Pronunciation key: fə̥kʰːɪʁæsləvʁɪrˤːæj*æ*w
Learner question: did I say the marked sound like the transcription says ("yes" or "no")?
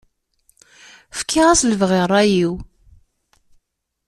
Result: no